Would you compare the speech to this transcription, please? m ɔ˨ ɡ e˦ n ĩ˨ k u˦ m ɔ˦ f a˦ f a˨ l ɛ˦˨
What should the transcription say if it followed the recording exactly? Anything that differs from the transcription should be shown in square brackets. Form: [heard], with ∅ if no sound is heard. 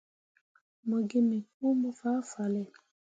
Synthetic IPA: m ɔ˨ ɡ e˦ [m] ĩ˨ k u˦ m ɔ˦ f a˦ f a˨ l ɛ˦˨